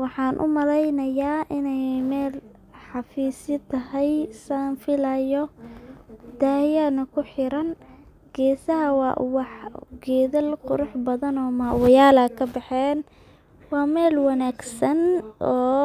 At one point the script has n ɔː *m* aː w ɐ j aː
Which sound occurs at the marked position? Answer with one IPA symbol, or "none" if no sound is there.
m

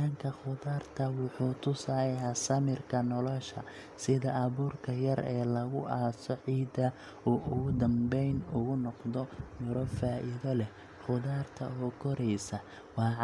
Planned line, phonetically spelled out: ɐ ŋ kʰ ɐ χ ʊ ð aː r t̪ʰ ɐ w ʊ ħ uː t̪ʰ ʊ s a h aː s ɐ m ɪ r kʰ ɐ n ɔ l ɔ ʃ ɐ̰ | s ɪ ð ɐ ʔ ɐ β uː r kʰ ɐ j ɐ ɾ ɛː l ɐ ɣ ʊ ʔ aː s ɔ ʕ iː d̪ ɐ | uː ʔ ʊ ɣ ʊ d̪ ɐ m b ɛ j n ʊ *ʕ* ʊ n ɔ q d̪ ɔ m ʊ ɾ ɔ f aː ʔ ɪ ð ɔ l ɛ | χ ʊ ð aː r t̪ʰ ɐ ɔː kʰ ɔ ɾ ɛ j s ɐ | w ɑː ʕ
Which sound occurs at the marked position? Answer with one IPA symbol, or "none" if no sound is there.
ɣ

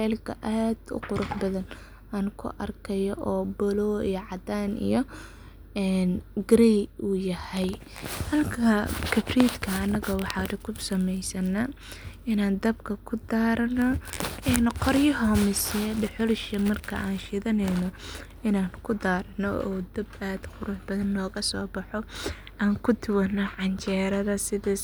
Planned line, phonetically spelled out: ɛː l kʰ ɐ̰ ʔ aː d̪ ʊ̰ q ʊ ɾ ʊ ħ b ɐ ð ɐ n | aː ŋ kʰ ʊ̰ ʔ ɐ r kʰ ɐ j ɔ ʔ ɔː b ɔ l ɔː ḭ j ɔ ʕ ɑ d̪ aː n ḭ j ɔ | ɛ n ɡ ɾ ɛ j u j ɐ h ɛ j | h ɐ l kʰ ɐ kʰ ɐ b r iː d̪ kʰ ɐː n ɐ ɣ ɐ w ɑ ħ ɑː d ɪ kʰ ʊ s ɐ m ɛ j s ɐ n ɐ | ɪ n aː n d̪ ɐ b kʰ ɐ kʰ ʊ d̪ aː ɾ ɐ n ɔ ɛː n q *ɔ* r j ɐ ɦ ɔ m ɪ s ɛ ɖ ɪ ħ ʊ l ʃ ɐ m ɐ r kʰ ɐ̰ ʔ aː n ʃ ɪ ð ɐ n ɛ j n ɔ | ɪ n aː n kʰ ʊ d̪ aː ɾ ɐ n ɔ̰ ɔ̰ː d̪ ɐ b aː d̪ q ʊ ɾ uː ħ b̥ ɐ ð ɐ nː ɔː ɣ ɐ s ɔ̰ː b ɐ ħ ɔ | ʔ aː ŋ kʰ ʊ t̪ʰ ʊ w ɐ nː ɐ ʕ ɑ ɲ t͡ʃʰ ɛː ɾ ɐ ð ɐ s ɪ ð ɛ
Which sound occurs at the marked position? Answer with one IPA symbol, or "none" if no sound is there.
ɔ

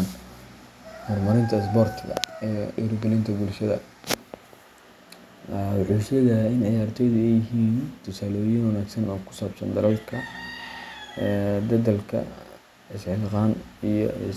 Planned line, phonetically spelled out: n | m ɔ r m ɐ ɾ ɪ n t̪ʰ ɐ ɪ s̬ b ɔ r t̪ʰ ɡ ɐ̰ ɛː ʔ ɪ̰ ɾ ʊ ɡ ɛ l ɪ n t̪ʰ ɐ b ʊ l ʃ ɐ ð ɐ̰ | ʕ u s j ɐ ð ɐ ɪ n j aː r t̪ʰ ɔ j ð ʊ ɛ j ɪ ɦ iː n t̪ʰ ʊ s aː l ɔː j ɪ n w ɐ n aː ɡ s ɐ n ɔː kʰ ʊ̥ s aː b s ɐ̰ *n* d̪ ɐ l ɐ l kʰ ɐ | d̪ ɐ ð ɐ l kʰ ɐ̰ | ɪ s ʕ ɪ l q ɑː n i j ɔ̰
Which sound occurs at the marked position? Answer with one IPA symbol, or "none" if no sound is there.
n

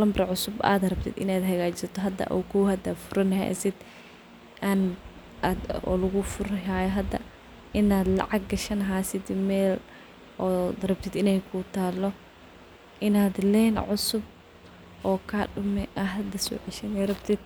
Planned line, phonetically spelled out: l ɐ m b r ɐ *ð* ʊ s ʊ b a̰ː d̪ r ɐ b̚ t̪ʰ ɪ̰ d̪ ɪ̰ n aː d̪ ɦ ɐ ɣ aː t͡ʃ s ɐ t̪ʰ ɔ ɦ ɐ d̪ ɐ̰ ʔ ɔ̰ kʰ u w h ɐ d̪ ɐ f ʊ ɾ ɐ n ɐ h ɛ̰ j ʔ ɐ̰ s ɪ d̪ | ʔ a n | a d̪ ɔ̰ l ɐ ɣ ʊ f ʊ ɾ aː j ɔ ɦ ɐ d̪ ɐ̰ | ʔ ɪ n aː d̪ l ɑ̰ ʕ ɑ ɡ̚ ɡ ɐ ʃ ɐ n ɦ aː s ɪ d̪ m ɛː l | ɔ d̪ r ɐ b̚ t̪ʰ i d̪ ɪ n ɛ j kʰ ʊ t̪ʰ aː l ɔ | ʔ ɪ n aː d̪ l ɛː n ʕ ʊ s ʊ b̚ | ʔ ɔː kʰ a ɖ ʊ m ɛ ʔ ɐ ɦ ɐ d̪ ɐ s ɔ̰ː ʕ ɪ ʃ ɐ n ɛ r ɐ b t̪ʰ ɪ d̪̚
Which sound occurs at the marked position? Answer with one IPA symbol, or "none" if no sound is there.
ʕ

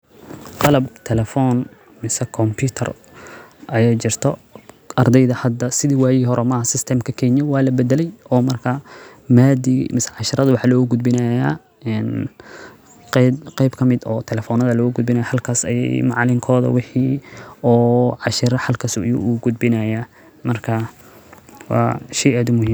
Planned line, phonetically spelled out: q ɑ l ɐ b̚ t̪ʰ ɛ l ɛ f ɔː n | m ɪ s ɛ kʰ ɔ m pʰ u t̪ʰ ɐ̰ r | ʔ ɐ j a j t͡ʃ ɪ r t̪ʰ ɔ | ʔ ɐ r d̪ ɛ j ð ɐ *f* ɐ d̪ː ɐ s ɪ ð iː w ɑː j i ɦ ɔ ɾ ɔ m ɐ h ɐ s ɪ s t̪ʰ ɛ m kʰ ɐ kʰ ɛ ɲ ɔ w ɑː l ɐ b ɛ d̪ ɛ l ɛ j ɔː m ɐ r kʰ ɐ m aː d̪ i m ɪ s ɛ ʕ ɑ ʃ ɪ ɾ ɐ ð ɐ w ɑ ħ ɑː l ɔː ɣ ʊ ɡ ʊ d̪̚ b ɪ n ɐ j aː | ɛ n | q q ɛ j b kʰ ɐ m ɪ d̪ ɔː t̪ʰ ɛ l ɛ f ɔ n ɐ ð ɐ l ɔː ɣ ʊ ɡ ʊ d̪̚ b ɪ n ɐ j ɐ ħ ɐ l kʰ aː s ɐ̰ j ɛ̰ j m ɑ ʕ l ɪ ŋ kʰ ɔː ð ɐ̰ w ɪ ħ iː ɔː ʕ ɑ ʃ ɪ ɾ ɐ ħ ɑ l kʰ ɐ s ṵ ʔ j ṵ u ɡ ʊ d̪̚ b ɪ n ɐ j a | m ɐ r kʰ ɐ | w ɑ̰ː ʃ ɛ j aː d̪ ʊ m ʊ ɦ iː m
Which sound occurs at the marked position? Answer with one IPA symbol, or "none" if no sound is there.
h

